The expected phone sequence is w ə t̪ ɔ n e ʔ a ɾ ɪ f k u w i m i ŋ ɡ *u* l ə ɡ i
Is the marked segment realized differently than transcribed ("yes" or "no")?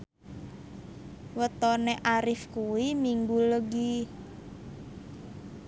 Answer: no